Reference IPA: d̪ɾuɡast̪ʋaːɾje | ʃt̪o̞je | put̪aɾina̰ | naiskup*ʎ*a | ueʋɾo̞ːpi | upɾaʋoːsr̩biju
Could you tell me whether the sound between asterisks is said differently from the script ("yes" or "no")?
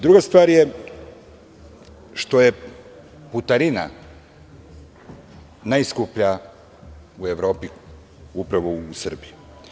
no